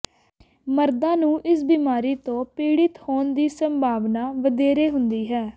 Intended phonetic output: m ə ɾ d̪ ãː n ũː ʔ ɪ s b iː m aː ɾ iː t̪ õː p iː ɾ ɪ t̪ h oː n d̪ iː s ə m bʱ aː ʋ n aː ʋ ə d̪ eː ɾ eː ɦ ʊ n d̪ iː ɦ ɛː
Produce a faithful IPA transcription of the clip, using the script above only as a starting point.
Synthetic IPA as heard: m ə ɾ d̪ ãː n ũː ʔ ɪ s b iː m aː ɾ iː t̪ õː p iː ɽ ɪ t̪ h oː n d̪ iː s ə m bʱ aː ʋ n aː ʋ ə d̪ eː ɾ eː ɦ ʊ n d̪ iː ɦ ɛː